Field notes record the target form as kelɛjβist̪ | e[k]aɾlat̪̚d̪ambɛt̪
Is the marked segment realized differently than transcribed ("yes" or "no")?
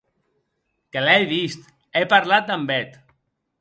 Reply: yes